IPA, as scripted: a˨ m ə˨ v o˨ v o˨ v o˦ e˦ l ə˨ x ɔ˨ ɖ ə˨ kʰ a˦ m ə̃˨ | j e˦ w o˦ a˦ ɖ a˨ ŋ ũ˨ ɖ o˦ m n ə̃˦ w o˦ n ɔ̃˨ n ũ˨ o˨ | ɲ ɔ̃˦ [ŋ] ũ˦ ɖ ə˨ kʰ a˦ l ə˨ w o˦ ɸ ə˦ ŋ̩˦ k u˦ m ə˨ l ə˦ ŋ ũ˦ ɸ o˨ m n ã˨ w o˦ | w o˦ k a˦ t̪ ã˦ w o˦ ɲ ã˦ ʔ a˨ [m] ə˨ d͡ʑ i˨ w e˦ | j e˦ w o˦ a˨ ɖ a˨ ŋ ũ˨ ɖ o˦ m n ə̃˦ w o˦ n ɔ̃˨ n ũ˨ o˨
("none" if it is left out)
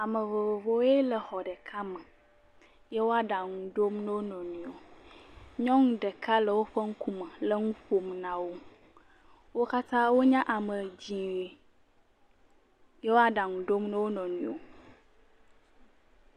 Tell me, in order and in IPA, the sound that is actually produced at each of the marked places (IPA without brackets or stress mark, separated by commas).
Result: ŋ, m